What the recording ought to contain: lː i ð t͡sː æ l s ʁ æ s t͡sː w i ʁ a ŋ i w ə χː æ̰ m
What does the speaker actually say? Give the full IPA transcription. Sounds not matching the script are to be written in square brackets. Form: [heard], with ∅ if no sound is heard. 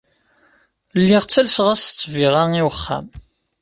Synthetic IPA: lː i [ʁ] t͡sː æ l s ʁ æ s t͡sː [v] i ʁ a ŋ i w ə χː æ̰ m